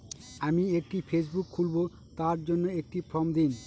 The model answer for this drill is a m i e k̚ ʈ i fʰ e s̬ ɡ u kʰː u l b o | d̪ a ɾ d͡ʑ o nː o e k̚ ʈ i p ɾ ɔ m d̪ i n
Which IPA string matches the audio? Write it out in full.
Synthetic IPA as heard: a m i e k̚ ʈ i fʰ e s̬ b u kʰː u l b o | t̪ a ɾ d͡ʑ o nː o e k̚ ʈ i p ɾ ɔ m d̪ i n